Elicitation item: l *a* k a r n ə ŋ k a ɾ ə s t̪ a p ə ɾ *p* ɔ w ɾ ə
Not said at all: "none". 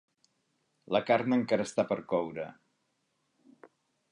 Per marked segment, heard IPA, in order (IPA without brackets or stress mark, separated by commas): ə, k